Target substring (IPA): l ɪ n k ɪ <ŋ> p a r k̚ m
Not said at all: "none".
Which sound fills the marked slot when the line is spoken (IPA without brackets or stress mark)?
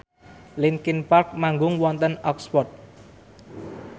n